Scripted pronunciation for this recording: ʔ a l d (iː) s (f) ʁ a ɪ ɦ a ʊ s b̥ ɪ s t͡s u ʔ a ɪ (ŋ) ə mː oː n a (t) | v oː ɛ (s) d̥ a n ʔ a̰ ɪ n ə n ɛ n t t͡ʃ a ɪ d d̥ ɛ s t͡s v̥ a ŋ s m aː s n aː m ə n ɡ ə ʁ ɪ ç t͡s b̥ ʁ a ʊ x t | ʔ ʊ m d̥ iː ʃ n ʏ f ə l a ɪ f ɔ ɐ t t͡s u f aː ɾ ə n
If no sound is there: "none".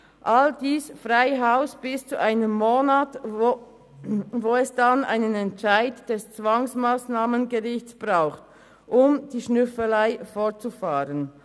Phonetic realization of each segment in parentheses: iː, f, n, t, s

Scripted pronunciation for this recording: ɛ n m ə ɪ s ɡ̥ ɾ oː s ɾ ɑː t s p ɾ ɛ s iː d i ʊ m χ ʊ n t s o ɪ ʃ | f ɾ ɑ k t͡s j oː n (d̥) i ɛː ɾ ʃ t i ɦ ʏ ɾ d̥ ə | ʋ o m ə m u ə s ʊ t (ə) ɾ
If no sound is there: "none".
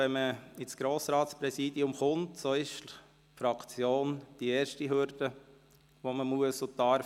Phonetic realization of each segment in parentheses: d̥, ɑ

